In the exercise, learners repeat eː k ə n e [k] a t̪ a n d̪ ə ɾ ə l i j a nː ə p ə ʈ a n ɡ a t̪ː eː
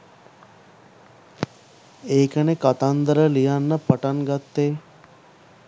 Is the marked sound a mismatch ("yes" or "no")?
no